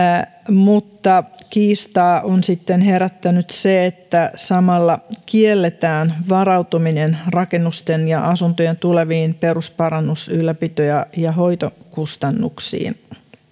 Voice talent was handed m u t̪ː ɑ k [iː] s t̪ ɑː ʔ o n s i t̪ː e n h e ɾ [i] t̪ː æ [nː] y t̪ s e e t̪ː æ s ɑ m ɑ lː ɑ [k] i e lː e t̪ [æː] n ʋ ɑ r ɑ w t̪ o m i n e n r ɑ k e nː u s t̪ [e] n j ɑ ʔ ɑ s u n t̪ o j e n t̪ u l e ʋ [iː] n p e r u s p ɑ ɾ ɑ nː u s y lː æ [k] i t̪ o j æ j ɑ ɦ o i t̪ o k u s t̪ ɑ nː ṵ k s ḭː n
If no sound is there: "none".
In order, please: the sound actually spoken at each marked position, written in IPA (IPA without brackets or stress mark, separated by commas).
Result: iː, æ, n, k, æː, e, iː, p